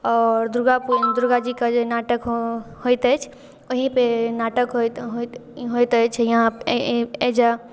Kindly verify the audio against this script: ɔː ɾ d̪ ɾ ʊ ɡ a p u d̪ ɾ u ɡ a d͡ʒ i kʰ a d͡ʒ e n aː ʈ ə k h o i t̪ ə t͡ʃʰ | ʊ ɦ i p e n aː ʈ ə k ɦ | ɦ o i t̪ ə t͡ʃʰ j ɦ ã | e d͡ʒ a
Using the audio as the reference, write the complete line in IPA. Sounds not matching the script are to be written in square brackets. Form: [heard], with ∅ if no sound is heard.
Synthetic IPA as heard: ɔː ɾ d̪ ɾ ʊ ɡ a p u d̪ ɾ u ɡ a d͡ʒ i [k] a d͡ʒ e n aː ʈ ə k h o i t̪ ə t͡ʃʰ | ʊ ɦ i p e n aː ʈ ə k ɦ | ɦ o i t̪ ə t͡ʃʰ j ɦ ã | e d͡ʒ a